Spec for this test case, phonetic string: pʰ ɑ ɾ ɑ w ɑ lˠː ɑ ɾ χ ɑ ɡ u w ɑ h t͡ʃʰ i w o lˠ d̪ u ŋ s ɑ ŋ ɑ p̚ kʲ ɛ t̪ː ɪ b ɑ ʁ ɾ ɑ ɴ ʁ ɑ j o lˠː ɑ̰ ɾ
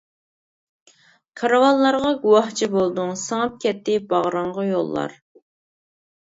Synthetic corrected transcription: kʰ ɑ ɾ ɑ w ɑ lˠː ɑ ɾ ʁ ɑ ɡ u w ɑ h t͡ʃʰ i b o lˠ d̪ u ŋ s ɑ ŋ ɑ p̚ kʲ ɛ t̪ː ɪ b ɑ ʁ ɾ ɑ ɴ ʁ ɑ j o lˠː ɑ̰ ɾ